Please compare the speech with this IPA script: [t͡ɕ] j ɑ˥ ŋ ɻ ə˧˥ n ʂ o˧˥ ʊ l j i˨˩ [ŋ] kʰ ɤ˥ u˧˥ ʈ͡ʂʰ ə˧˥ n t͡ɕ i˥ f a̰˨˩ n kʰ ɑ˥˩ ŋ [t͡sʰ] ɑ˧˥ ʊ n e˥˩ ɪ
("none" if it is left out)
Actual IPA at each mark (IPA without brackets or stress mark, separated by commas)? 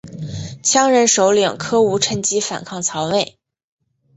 t͡ɕʰ, ŋ, t͡sʰ